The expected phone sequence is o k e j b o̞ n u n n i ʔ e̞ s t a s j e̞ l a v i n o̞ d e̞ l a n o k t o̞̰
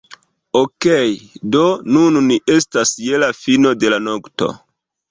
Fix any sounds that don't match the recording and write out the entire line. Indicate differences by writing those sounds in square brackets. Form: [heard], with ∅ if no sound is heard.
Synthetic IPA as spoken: o k e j [d] o̞ n u n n i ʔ e̞ s t a s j e̞ l a [f] i n o̞ d e̞ l a n o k t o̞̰